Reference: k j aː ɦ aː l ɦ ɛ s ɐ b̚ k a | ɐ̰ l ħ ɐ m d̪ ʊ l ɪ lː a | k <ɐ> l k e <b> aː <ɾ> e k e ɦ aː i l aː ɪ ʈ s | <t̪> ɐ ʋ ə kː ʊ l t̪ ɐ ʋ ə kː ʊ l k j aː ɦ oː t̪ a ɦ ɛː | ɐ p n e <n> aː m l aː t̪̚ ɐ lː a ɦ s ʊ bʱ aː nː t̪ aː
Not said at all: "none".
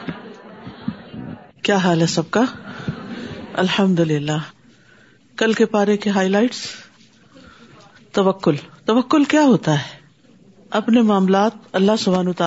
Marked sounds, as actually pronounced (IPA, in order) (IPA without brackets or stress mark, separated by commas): ɐ, p, ɾ, t̪, m